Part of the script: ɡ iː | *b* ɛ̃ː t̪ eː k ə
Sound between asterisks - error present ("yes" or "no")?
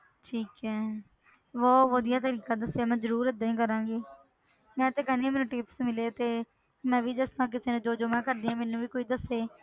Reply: yes